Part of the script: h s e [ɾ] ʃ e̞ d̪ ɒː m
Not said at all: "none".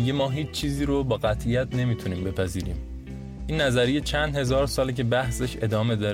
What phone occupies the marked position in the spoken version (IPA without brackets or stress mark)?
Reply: none